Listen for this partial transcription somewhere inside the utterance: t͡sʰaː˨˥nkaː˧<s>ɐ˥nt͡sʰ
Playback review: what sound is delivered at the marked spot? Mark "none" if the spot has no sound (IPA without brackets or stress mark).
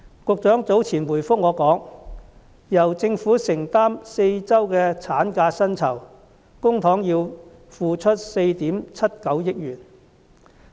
s